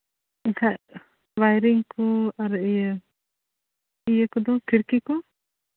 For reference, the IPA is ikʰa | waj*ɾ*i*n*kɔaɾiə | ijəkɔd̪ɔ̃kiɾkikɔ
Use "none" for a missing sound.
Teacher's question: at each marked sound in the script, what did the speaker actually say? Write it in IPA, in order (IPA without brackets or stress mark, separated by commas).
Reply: ɾ, ŋ